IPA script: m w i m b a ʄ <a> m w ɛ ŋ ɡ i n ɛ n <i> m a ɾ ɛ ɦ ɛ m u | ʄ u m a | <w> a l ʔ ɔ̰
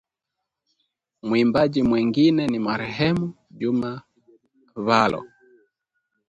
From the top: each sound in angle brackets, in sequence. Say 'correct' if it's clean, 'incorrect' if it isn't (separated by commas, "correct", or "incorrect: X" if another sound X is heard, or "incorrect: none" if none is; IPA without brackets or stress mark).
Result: incorrect: i, correct, incorrect: β